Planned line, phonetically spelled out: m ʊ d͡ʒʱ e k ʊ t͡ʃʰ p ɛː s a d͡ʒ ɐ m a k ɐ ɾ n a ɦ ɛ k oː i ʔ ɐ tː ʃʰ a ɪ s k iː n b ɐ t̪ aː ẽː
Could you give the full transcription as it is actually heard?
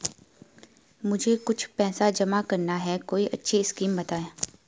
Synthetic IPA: m ʊ d͡ʒʱ e k ʊ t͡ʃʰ p ɛː s a d͡ʒ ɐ m a k ɐ ɾ n a ɦ ɛ k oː i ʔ ɐ tː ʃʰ i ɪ s k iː m b ɐ t̪ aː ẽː